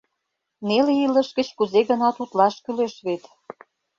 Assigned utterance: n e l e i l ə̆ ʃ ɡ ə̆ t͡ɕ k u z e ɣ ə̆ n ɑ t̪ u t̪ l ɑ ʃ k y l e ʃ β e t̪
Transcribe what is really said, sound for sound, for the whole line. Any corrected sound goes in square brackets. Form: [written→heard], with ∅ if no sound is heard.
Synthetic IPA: n e l e i l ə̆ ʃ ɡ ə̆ t͡ɕ k u z e ɣ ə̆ n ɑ t̪ u t̪ l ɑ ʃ k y l e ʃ β e t̪